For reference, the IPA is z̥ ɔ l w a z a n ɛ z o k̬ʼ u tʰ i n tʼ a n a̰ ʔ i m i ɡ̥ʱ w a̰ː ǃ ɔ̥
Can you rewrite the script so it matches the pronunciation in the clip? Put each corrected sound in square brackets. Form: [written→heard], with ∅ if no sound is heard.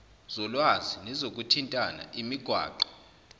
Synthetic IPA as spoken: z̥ ɔ l w a z [a→i] n ɛ z o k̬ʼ u tʰ i n tʼ a n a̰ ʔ i m i ɡ̥ʱ w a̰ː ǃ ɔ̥